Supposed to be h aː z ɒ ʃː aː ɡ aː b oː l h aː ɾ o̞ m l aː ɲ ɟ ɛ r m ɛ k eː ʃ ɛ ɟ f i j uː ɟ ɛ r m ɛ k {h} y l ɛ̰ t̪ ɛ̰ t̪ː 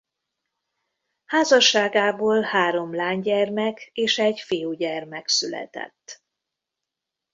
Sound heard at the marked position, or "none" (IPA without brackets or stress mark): s